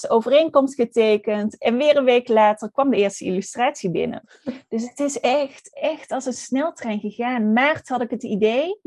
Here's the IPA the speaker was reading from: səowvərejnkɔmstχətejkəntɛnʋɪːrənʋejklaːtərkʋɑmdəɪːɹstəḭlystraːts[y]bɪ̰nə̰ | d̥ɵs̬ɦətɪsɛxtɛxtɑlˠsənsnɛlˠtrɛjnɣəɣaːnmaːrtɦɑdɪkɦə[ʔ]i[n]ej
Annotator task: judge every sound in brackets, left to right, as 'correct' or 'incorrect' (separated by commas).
incorrect, incorrect, incorrect